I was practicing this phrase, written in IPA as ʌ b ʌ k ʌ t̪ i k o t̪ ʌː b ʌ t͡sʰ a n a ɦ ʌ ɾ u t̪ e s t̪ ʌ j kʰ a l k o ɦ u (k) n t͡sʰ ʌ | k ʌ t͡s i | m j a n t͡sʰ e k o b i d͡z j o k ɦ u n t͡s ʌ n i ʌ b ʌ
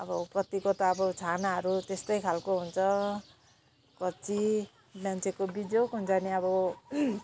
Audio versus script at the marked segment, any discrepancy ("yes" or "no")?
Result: yes